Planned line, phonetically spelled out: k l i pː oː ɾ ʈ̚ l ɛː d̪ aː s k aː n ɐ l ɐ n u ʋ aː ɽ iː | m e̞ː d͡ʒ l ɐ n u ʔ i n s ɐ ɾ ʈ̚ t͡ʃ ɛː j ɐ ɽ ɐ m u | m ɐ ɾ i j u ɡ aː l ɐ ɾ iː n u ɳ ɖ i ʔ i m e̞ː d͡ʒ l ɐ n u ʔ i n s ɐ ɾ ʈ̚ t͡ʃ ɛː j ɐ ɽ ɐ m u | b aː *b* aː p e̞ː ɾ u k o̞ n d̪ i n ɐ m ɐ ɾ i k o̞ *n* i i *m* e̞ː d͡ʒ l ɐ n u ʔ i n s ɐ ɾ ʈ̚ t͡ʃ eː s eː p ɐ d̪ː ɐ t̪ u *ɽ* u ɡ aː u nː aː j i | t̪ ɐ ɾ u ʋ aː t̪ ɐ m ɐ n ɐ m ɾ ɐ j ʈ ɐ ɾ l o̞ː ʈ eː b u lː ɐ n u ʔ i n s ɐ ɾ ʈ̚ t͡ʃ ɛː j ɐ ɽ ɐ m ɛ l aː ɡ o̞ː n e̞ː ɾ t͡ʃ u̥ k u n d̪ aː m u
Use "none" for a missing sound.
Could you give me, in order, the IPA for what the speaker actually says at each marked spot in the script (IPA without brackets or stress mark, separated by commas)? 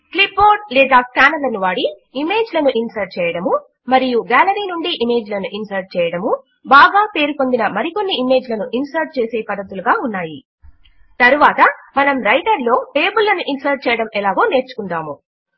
ɡ, nː, m, l